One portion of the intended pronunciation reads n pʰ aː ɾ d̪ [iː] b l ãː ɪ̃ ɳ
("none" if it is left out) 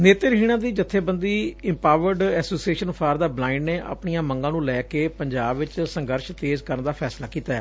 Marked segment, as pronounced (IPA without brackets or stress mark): aː